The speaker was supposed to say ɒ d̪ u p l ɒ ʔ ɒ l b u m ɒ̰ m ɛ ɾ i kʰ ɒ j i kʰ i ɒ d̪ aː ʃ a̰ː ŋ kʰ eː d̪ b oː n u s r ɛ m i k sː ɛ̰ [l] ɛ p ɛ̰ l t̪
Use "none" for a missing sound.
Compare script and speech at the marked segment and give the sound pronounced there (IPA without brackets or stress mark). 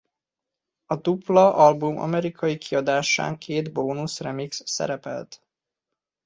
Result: ɾ